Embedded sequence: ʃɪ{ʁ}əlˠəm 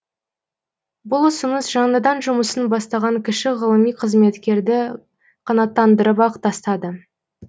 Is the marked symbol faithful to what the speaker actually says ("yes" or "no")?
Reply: yes